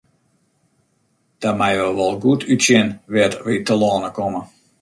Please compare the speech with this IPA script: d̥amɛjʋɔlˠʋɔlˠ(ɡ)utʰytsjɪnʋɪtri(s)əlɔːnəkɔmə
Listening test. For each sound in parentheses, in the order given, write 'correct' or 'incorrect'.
correct, incorrect: t

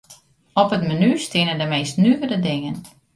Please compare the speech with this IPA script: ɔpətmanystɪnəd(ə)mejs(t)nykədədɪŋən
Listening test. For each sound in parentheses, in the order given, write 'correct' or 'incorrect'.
correct, correct

